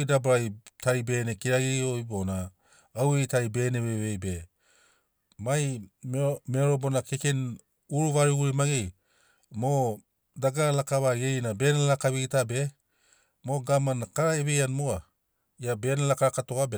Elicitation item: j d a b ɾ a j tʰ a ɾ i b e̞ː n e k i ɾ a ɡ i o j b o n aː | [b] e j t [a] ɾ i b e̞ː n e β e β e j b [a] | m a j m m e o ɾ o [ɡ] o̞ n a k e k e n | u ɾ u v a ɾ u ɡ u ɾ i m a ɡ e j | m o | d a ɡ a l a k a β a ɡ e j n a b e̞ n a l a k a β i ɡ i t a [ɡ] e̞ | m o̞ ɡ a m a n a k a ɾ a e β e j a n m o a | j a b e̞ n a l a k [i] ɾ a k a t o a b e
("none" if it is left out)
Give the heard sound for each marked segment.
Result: w, a, e, b, b, a

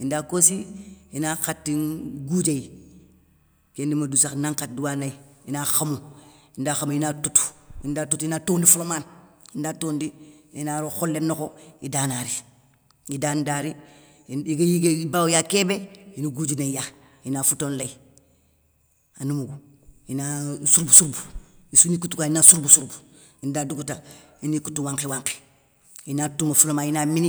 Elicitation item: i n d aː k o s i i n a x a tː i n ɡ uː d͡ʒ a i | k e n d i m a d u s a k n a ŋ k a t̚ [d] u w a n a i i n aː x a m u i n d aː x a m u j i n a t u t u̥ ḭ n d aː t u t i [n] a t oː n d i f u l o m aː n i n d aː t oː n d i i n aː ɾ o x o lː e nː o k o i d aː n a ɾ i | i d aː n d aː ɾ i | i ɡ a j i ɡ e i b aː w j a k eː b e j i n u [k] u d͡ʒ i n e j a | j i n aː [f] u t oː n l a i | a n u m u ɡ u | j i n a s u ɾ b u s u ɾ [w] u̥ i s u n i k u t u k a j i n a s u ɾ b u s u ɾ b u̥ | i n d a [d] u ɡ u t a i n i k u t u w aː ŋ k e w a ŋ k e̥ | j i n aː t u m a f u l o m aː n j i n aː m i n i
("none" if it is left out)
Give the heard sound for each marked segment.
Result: d, n, ɡ, f, b, d

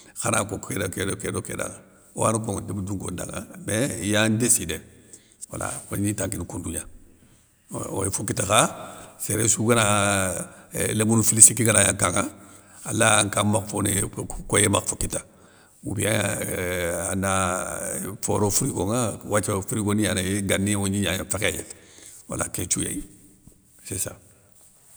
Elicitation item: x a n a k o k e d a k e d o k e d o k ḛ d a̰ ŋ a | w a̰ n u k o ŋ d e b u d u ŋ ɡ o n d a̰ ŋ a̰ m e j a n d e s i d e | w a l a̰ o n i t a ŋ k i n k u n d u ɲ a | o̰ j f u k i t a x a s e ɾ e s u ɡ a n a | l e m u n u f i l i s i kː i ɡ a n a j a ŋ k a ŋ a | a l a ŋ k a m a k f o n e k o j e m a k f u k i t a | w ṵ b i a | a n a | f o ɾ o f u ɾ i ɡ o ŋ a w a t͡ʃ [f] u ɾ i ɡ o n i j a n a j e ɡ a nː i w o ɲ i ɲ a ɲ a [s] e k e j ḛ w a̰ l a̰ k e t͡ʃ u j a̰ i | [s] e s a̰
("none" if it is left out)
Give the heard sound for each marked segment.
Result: f, f, s

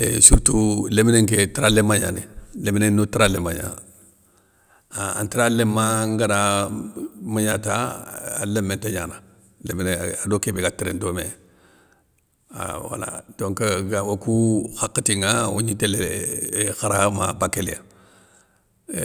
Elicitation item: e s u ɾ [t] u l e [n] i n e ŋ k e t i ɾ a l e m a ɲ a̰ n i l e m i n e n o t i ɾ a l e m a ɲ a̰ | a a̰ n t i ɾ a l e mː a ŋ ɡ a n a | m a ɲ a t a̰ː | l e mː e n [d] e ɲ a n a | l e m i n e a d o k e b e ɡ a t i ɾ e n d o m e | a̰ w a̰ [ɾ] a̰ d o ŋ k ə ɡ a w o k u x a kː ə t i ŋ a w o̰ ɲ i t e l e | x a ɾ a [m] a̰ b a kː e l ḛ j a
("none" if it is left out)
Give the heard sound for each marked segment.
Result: t, m, t, l, m

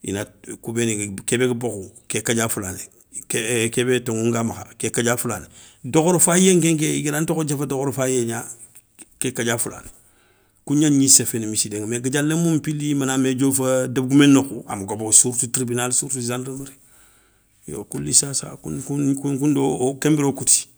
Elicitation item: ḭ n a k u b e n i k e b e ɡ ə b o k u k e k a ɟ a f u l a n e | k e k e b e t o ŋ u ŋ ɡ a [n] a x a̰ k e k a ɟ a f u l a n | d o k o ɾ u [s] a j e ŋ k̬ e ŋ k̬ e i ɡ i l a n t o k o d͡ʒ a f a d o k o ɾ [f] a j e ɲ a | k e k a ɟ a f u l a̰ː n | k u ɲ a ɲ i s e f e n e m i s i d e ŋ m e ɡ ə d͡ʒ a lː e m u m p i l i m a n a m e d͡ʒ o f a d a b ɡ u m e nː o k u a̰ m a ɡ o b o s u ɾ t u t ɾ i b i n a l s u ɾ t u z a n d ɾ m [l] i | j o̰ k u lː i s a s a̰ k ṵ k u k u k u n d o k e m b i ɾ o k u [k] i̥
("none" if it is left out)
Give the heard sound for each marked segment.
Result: m, f, f, ɾ, t

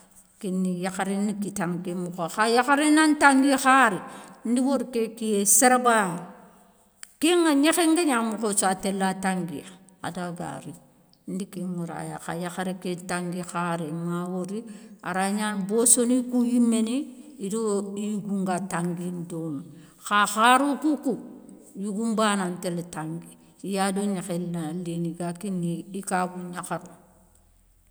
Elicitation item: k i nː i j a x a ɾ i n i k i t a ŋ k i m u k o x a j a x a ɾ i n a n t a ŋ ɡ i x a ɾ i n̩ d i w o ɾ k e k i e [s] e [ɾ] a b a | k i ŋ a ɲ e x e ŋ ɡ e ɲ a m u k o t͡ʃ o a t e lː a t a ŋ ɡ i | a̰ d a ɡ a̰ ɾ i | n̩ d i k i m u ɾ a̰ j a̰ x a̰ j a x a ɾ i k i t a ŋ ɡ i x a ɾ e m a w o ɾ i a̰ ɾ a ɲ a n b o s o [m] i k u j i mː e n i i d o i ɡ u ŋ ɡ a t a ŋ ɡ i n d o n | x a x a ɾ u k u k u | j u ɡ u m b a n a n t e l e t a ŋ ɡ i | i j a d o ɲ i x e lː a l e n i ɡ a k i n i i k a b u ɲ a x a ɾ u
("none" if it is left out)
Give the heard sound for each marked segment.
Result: s, ɾ, n

